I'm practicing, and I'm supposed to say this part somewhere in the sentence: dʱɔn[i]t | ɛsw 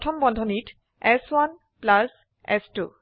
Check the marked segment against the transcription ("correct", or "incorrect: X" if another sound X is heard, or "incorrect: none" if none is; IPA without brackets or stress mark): correct